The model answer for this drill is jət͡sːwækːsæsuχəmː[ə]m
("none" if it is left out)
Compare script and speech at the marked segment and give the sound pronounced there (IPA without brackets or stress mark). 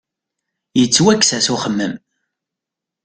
ə